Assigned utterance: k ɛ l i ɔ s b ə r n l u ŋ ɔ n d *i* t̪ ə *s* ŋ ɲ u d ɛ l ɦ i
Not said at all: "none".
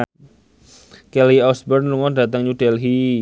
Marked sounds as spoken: a, none

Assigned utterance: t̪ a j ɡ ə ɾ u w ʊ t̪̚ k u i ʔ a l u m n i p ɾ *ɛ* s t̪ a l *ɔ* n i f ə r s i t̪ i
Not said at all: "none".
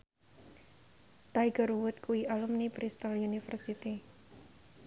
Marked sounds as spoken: i, u

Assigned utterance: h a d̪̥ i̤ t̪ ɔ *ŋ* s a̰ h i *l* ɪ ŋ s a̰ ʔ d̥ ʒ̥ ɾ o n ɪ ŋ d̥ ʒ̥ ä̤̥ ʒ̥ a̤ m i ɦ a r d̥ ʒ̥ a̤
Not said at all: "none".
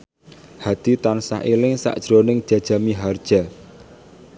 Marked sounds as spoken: n, l

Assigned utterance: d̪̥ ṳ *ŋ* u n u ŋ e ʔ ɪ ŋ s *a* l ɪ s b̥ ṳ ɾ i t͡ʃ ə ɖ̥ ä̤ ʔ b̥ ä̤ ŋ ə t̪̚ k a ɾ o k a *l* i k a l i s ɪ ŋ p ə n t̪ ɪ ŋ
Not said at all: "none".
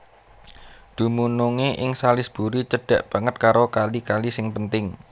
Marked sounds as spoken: m, a, l

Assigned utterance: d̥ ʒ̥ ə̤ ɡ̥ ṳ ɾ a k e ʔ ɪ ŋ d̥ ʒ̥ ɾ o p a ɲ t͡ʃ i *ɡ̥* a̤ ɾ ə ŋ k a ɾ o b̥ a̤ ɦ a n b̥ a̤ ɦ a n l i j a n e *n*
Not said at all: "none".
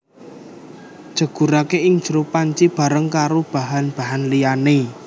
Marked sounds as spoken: b̥, none

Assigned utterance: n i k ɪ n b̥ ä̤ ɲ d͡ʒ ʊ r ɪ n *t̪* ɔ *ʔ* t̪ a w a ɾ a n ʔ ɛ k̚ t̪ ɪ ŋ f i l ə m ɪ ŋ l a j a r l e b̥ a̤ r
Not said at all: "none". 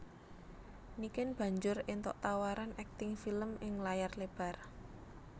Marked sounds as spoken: t̪, ʔ

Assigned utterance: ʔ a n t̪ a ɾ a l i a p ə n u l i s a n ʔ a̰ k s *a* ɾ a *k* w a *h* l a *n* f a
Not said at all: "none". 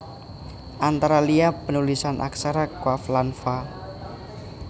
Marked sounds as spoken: a, k, f, n

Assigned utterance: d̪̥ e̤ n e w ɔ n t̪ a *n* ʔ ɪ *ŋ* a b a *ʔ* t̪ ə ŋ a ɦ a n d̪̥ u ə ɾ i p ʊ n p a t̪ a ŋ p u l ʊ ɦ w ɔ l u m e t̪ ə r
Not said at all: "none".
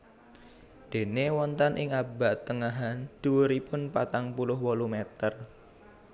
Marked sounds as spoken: n, ŋ, ʔ

